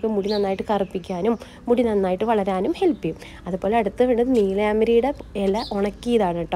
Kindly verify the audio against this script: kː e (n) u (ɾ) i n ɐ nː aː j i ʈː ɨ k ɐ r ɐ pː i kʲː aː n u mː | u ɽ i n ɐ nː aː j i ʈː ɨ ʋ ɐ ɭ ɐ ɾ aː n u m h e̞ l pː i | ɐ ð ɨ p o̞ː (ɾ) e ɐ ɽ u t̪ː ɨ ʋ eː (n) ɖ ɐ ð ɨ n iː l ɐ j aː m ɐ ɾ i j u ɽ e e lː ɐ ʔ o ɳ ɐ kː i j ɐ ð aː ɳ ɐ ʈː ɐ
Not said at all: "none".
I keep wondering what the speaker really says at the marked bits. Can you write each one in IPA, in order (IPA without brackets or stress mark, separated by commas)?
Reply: m, ɽ, l, ɳ